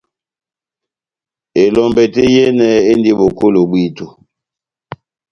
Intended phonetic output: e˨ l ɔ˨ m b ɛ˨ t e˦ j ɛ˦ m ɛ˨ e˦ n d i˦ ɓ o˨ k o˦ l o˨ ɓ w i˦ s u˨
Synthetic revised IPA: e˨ l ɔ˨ m b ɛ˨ t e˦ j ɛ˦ n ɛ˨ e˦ n d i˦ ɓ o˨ k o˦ l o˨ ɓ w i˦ t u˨